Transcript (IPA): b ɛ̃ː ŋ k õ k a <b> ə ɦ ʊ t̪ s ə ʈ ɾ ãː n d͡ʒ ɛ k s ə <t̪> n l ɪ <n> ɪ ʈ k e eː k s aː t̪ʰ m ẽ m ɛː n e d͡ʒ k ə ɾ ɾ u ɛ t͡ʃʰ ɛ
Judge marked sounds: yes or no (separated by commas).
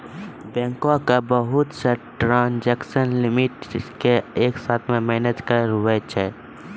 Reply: yes, no, no